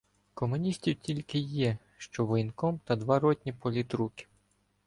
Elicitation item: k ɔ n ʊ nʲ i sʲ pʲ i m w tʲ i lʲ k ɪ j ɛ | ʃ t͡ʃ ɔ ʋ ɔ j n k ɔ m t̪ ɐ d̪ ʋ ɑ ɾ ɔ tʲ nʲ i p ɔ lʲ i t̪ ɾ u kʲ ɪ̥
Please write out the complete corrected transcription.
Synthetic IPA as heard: k ɔ m ʊ nʲ i sʲ tʲ i w tʲ i lʲ k ɪ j ɛ | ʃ t͡ʃ ɔ ʋ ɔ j n k ɔ m t̪ ɐ d̪ ʋ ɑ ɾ ɔ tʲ nʲ i p ɔ lʲ i t̪ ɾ u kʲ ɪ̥